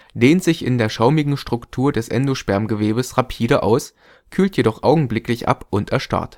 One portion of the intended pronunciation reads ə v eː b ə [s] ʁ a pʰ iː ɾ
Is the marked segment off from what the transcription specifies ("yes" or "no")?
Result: no